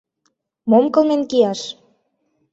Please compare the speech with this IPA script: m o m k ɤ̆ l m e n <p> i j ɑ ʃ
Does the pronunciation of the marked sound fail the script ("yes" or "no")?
yes